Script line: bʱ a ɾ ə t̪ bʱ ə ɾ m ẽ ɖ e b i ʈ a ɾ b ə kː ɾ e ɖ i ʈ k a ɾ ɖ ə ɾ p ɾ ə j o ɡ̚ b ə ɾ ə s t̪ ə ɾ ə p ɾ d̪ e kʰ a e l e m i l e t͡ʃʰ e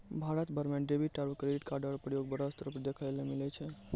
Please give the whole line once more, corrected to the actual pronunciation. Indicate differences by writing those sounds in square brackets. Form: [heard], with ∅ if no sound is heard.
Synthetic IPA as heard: bʱ a ɾ ə t̪ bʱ ə ɾ m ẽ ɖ e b i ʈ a ɾ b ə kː ɾ e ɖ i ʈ k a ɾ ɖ ə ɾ p ɾ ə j o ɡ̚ b ə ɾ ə s t̪ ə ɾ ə p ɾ d̪ e kʰ a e l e m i l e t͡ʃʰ e